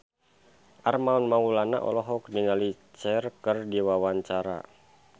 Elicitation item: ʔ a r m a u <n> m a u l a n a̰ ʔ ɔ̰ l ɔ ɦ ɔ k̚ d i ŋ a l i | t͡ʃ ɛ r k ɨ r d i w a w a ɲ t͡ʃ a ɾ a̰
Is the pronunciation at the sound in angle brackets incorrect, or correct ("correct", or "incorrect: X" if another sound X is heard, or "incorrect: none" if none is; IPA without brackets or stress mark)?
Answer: correct